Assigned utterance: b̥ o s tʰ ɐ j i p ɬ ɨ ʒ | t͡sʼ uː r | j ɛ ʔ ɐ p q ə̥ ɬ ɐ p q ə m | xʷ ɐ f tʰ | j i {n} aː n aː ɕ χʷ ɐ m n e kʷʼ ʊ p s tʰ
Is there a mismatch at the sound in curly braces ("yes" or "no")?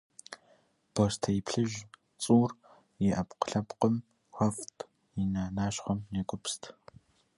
no